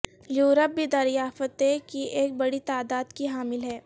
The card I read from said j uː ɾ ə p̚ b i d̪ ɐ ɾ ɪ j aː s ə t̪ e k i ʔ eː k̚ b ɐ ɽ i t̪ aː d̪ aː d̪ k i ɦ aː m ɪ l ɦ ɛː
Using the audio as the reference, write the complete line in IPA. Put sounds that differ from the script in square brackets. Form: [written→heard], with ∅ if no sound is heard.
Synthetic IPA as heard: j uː ɾ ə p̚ b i d̪ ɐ ɾ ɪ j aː [s→f] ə t̪ e k i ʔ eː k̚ b ɐ ɽ i t̪ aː d̪ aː d̪ k i ɦ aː m ɪ l ɦ ɛː